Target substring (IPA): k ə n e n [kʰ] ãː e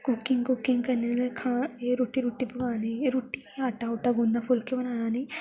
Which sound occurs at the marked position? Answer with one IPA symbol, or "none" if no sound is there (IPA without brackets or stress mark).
kʰ